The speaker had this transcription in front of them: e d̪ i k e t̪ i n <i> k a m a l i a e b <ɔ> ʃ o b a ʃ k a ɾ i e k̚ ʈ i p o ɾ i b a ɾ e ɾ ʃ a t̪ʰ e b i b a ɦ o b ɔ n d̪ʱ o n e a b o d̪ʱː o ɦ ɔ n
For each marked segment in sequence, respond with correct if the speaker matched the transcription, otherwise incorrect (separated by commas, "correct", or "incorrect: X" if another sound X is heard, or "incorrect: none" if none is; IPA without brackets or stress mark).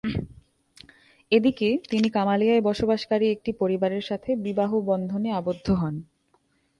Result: correct, correct